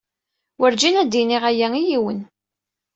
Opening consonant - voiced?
yes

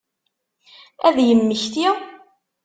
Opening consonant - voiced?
yes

